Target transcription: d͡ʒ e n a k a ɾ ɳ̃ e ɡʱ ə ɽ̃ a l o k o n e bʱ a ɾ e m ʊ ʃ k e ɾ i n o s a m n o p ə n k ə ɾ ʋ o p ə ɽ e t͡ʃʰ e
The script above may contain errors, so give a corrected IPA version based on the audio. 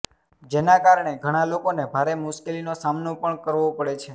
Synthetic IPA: d͡ʒ e n a k a ɾ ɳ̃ e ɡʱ ə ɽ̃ a l o k o n e bʱ a ɾ e m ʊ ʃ k e l i n o s a m n o p ə ɳ k ə ɾ ʋ o p ə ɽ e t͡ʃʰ e